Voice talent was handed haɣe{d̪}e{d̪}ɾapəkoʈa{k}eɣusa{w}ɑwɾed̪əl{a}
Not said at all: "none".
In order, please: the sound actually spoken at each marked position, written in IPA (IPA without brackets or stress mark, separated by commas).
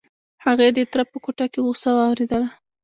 d̪, t̪, k, w, a